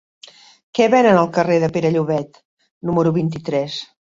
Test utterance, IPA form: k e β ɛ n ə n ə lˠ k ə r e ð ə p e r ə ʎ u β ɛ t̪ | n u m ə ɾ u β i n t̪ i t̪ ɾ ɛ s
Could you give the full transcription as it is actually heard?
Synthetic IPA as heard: k ɛ β ɛ n ə n ə lˠ k ə r e ð ə p e ɾ ə ʎ u β ɛ t̪ | n u m ə ɾ u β i n t̪ i t̪ ɾ ɛ s